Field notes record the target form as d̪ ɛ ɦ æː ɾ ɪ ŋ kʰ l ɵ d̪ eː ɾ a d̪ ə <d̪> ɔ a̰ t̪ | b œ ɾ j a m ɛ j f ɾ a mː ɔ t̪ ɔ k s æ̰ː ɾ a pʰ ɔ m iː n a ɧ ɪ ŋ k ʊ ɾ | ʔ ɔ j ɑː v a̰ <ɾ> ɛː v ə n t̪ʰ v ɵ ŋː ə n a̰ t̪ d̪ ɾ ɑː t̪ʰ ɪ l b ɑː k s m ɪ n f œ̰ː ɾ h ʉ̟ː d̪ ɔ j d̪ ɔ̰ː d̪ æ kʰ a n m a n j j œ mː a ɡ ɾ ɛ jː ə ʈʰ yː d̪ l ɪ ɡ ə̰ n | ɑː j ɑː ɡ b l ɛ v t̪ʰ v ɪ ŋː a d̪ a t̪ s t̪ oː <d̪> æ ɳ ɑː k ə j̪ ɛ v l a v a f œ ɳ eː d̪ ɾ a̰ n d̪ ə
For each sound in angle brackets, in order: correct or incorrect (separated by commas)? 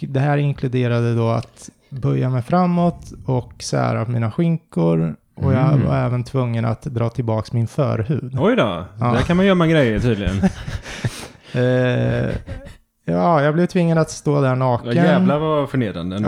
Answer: correct, correct, correct